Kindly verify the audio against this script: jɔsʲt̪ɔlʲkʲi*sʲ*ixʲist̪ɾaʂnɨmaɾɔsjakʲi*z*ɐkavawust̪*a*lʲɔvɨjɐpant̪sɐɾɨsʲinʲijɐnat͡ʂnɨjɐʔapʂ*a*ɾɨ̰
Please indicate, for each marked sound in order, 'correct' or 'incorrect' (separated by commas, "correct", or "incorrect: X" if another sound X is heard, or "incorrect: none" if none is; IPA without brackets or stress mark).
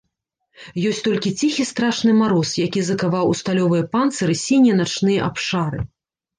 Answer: incorrect: t͡sʲ, correct, correct, correct